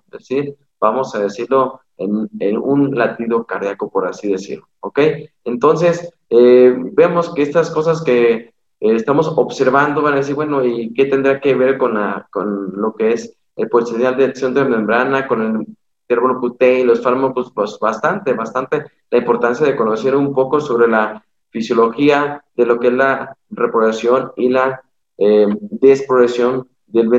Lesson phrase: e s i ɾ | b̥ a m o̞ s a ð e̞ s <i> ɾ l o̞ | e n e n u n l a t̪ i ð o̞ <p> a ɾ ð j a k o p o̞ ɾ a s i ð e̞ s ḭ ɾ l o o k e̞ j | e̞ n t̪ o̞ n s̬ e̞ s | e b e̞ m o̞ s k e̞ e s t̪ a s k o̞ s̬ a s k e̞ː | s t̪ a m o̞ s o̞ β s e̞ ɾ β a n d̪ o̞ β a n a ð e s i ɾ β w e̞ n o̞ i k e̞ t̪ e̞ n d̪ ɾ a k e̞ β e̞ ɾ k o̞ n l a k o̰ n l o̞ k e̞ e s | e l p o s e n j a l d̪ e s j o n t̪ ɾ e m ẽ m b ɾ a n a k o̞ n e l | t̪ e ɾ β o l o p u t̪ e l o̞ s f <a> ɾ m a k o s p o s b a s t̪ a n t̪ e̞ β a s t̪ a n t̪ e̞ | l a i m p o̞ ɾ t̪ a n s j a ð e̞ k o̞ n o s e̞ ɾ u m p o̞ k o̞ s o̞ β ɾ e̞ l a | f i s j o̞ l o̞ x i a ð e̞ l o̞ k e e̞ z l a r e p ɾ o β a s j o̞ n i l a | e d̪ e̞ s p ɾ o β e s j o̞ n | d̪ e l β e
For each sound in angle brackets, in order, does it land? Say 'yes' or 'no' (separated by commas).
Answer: yes, no, yes